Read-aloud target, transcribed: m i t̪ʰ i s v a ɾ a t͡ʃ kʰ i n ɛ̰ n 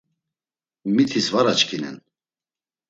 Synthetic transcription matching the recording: m i t̪ʰ i s v a ɾ a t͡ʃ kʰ i n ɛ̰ n